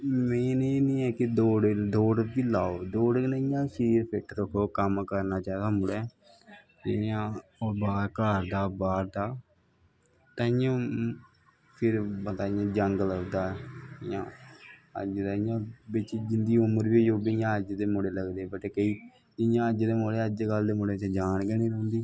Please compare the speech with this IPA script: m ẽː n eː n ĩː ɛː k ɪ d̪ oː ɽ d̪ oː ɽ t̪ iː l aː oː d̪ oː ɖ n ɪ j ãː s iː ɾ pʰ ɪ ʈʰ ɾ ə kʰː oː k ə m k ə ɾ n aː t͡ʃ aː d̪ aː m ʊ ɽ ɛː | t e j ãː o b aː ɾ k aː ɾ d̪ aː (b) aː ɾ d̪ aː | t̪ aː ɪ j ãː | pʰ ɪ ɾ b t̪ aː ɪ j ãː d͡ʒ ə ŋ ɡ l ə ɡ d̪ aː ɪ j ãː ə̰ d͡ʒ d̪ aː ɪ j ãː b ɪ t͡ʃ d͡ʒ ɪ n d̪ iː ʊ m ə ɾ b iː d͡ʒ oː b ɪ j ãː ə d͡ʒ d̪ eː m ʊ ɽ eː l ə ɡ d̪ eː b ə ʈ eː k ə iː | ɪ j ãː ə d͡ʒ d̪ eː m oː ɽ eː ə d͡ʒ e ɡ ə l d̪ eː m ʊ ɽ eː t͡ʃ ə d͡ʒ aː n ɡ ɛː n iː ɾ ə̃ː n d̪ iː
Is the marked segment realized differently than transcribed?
no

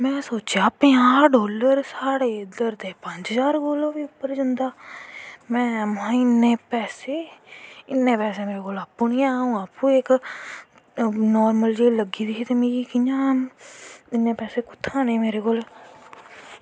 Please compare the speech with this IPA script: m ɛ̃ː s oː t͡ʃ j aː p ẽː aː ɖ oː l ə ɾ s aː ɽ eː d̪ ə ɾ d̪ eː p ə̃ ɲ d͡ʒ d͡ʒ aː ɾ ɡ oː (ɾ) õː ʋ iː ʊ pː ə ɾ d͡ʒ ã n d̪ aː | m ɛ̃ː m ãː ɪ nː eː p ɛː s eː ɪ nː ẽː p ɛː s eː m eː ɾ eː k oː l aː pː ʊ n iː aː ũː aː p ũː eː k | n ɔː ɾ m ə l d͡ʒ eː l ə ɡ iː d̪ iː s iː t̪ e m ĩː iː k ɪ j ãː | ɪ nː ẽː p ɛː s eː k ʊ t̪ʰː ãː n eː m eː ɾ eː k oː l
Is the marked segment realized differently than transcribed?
yes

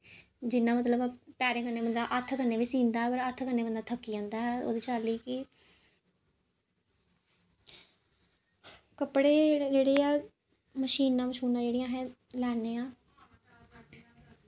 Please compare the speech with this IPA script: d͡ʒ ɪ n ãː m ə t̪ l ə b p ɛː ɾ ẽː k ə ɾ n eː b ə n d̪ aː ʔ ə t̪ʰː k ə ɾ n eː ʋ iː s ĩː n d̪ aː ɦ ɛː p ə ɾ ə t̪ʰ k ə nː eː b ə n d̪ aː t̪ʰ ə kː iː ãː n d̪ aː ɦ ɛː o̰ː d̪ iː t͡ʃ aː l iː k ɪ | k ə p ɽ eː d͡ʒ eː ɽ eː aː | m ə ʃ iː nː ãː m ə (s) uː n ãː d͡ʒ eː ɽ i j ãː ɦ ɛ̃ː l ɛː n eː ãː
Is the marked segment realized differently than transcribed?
yes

